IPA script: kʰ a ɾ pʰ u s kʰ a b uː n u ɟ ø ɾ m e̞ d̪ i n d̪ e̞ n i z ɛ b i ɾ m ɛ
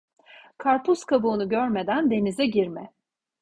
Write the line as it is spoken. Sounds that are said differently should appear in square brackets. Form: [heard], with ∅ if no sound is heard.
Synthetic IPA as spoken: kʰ a ɾ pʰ u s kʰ a b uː n u ɟ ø ɾ m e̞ d̪ [æ] n d̪ e̞ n i z ɛ [ɟ] i ɾ m ɛ